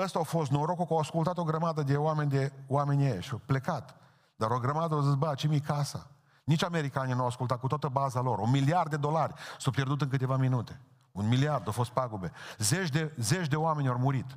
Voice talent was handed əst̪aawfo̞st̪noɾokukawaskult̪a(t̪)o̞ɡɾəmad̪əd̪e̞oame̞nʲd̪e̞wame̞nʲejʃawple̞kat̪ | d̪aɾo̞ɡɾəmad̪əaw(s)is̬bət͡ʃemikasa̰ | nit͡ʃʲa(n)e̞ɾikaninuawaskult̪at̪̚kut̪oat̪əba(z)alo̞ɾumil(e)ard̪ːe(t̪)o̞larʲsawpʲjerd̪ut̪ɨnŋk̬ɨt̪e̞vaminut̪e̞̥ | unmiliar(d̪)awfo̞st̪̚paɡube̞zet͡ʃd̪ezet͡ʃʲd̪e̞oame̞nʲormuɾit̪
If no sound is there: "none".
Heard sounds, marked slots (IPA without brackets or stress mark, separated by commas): t̪, z, m, z, i, d̪, d̪